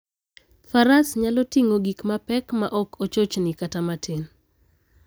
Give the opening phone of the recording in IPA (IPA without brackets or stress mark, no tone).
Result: f